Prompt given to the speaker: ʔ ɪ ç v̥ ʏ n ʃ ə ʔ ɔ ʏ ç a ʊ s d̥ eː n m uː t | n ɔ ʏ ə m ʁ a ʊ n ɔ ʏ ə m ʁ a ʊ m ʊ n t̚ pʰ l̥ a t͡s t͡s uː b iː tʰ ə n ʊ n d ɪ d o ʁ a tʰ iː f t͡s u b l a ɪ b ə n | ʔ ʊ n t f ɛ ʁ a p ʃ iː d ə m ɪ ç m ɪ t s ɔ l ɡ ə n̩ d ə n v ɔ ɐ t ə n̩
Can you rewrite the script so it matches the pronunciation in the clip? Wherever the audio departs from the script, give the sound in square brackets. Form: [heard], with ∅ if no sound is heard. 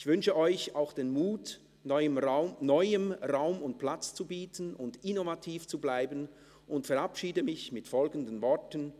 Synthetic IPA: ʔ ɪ ç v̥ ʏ n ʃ ə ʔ ɔ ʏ ç a ʊ [x] d̥ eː n m uː t | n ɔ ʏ ə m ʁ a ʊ n ɔ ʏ ə m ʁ a ʊ m ʊ n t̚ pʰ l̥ a t͡s t͡s [u] b iː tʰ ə n ʊ n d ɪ [n] o [v] a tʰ iː f t͡s u b l a ɪ b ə n | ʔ ʊ n t f ɛ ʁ a p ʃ iː d ə m ɪ ç m ɪ t [f] ɔ l ɡ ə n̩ d ə n v ɔ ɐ t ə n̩